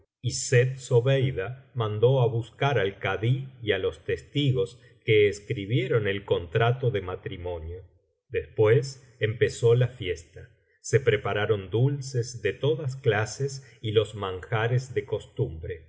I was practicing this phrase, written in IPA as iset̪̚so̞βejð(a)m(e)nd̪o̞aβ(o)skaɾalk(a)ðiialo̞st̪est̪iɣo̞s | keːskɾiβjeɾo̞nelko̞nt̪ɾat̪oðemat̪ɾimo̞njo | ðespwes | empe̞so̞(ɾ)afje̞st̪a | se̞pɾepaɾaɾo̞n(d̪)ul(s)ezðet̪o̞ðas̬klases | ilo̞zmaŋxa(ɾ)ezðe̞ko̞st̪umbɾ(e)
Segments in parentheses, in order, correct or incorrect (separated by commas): correct, incorrect, incorrect, correct, incorrect, correct, correct, correct, correct